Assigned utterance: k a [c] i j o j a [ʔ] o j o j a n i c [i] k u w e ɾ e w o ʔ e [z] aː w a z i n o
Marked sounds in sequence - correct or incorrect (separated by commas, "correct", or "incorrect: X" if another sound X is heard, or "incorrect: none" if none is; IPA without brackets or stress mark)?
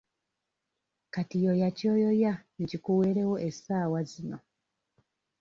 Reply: incorrect: t, incorrect: c, correct, incorrect: s